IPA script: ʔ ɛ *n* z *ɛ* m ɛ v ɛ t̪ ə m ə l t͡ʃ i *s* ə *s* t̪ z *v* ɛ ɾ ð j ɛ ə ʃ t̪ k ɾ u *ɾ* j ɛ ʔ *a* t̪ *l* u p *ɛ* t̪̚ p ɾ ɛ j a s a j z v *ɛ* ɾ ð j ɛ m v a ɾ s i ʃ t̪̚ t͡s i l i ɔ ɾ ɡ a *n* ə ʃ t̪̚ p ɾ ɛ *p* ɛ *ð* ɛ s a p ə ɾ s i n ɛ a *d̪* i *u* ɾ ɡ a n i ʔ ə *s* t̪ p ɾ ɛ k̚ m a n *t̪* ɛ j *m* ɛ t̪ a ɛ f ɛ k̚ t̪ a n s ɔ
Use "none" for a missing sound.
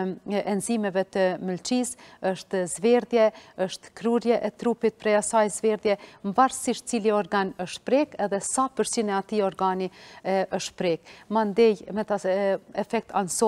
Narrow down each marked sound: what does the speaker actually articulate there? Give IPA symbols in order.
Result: n, i, s, ʃ, v, ɾ, ɛ, ɾ, i, ɛ, n, k, ð, t̪, ɔ, ʃ, d̪, m

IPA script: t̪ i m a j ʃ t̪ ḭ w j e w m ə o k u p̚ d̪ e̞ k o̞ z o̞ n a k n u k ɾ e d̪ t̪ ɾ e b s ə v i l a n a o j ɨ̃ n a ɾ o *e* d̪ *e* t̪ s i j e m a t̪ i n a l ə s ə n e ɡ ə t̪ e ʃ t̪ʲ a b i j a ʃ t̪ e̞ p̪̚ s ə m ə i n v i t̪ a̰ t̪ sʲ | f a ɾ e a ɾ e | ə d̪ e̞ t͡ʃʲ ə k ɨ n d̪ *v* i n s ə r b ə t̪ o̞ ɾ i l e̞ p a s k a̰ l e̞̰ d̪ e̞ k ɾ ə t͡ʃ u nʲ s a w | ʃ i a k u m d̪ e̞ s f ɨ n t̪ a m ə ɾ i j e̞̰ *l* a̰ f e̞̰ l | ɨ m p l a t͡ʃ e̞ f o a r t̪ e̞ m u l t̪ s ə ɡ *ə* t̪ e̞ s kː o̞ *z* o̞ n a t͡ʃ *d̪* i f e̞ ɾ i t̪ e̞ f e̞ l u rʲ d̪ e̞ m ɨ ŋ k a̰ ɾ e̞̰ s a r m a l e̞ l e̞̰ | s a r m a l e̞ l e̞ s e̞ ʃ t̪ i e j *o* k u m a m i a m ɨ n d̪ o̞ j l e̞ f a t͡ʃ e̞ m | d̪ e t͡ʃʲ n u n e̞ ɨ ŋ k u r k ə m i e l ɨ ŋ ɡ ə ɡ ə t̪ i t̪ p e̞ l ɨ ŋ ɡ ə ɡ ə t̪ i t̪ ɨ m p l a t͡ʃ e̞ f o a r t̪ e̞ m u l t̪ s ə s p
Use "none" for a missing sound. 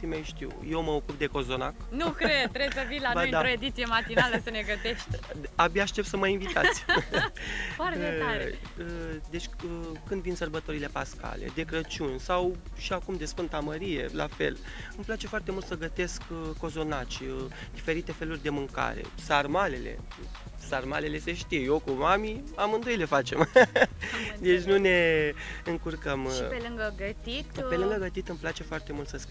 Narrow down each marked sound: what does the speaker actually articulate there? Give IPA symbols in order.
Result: e, i, v, l, ə, z, d̪, o

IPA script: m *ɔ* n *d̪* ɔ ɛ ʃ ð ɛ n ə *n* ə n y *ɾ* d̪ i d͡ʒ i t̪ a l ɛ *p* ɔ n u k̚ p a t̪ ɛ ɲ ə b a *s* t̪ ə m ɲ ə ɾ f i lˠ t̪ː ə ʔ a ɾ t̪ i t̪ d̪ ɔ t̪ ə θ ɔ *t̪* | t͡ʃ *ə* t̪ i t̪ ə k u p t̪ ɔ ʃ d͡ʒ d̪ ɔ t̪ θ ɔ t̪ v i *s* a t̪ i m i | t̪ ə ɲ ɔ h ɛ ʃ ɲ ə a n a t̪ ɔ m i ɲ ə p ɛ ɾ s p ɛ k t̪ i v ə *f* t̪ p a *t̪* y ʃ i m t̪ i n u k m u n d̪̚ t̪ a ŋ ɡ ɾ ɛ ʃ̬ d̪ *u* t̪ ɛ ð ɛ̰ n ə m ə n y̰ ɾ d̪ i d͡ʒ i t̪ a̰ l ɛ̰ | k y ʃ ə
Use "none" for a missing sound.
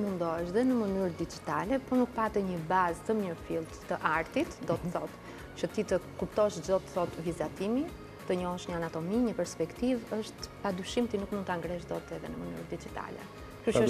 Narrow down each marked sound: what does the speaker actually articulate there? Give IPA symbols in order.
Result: u, d̪, m, ɾ, p, z, t̪, ə, z, ʃ, d̪, ɔ

